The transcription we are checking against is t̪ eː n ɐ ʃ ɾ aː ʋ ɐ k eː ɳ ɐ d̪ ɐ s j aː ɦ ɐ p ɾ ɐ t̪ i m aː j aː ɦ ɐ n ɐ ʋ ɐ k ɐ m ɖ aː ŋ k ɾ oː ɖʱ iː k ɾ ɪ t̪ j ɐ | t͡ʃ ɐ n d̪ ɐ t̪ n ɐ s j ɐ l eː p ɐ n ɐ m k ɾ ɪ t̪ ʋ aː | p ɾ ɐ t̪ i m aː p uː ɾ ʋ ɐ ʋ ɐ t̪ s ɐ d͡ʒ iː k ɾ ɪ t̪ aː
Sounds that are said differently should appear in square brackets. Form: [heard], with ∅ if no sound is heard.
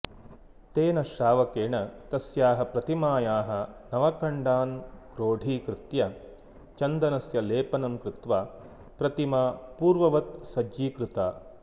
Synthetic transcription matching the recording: t̪ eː n ɐ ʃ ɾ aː ʋ ɐ k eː ɳ ɐ [t̪] ɐ s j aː ɦ ɐ p ɾ ɐ t̪ i m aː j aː ɦ ɐ n ɐ ʋ ɐ k ɐ [ɳ] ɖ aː [n] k ɾ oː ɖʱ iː k ɾ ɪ t̪ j ɐ | t͡ʃ ɐ n d̪ ɐ [∅] n ɐ s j ɐ l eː p ɐ n ɐ m k ɾ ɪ t̪ ʋ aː | p ɾ ɐ t̪ i m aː p uː ɾ ʋ ɐ ʋ ɐ t̪ s ɐ d͡ʒ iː k ɾ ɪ t̪ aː

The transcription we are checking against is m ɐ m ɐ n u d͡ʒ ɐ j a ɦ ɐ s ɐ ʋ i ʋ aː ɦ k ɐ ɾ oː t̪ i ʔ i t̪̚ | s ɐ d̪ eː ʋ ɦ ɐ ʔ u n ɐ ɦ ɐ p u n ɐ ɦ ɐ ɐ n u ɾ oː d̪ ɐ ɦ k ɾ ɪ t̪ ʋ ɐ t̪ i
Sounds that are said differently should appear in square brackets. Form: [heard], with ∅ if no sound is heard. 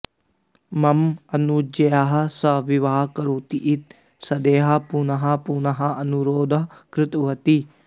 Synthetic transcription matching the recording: m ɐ m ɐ n u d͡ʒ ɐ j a ɦ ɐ s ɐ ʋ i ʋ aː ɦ k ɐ ɾ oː t̪ i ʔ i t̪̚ | s ɐ d̪ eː [∅] ɦ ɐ [p] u n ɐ ɦ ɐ p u n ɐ ɦ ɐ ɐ n u ɾ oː d̪ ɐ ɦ k ɾ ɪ t̪ ʋ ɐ t̪ i

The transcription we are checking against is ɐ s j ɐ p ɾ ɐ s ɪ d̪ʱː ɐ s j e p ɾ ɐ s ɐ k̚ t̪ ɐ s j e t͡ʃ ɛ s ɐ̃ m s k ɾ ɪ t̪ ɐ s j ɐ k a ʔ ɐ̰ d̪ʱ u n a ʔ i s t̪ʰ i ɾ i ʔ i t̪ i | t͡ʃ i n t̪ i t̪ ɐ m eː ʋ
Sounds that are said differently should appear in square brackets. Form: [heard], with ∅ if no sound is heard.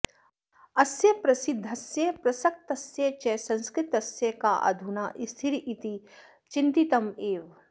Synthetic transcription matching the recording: ɐ s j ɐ p ɾ ɐ s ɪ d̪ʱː ɐ s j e p ɾ ɐ s ɐ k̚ t̪ ɐ s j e t͡ʃ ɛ s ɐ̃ [n] s k ɾ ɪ t̪ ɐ s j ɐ k a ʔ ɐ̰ d̪ʱ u n a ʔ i s t̪ʰ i ɾ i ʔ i t̪ i | t͡ʃ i n t̪ i t̪ ɐ m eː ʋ

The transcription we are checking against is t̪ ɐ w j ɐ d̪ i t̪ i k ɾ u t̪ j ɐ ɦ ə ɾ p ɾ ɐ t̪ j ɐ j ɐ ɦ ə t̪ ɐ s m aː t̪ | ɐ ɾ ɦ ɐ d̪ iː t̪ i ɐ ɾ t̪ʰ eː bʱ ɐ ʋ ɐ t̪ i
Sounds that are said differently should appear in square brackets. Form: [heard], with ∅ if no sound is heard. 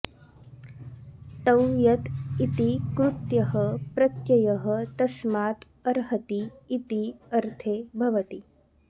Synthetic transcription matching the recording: t̪ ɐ w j ɐ [t̪] i t̪ i k ɾ u t̪ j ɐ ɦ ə [∅] p ɾ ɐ t̪ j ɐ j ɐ ɦ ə t̪ ɐ s m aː t̪ | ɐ ɾ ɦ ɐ [t̪] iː t̪ i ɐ ɾ t̪ʰ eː bʱ ɐ ʋ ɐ t̪ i

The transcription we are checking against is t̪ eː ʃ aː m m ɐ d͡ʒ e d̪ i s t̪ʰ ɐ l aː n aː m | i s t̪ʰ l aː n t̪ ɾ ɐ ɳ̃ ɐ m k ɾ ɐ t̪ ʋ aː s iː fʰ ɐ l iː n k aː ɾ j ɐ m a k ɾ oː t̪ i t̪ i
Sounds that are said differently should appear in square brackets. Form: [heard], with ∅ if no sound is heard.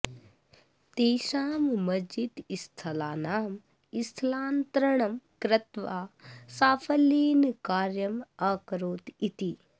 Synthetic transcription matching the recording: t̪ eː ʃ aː m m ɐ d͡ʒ [i] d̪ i s t̪ʰ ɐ l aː n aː m | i s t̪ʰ l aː n t̪ ɾ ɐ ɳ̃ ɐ m k ɾ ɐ t̪ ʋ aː s [aː] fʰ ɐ l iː n k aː ɾ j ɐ m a k ɾ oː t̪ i t̪ i

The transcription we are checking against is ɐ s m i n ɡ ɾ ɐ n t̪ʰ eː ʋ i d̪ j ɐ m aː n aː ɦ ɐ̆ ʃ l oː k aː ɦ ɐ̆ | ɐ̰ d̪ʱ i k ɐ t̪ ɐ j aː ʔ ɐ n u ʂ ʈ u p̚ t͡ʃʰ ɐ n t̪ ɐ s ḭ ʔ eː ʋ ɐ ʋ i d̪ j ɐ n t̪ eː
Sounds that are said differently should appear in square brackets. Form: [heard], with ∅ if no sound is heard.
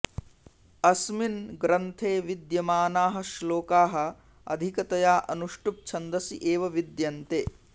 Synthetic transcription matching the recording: ɐ s m i n ɡ ɾ ɐ n t̪ʰ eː ʋ i d̪ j ɐ m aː n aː ɦ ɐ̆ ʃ l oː k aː ɦ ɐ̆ | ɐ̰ d̪ʱ i k ɐ t̪ ɐ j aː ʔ ɐ n u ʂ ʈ u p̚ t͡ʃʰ ɐ n [d̪] ɐ s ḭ ʔ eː ʋ ɐ ʋ i d̪ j ɐ n t̪ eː

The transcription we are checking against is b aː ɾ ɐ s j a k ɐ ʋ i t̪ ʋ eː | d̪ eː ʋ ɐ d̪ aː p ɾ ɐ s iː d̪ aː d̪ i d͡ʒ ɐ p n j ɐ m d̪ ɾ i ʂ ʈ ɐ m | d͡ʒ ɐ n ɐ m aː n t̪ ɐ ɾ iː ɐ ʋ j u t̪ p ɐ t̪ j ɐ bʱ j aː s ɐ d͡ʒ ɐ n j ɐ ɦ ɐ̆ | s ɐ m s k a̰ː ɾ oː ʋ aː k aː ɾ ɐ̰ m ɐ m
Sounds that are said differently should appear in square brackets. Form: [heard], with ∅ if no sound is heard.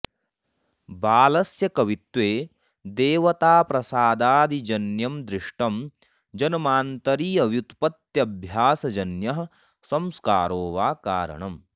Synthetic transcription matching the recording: b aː [l] ɐ s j [ɐ] k ɐ ʋ i t̪ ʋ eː | d̪ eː ʋ ɐ [t̪] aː p ɾ ɐ s [aː] d̪ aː d̪ i d͡ʒ ɐ [∅] n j ɐ m d̪ ɾ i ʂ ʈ ɐ m | d͡ʒ ɐ n ɐ m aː n t̪ ɐ ɾ iː ɐ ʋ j u t̪ p ɐ t̪ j ɐ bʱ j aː s ɐ d͡ʒ ɐ n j ɐ ɦ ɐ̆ | s ɐ m s k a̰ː ɾ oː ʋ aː k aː ɾ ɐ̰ [ɳ] ɐ m

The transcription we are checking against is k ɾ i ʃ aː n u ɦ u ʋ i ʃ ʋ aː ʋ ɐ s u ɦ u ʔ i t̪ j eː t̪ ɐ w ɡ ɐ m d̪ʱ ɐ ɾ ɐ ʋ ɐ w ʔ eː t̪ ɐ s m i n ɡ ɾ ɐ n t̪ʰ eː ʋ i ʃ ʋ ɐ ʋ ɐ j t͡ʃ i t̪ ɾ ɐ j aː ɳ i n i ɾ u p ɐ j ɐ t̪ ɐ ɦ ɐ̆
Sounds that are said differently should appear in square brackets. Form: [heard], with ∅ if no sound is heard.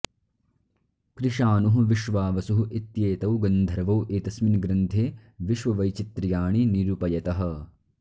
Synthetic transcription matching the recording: k ɾ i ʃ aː n u ɦ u ʋ i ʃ ʋ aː ʋ ɐ s u ɦ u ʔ i t̪ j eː t̪ ɐ w ɡ ɐ [n] d̪ʱ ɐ ɾ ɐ ʋ ɐ w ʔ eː t̪ ɐ s m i n ɡ ɾ ɐ n t̪ʰ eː ʋ i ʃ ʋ ɐ ʋ ɐ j t͡ʃ i t̪ ɾ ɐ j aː ɳ i n i ɾ u p ɐ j ɐ t̪ ɐ ɦ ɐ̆

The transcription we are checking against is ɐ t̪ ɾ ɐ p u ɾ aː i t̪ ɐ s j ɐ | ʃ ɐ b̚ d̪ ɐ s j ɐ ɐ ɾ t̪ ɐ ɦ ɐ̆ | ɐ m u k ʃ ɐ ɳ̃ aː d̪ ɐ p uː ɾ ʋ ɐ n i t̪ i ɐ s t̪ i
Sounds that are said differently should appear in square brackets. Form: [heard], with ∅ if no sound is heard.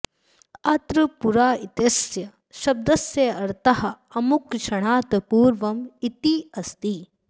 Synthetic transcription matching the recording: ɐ t̪ ɾ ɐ p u ɾ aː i t̪ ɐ s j ɐ | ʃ ɐ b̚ d̪ ɐ s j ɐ ɐ ɾ t̪ ɐ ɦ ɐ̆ | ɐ m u k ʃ ɐ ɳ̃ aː [t̪] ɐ p uː ɾ ʋ ɐ [m] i t̪ i ɐ s t̪ i

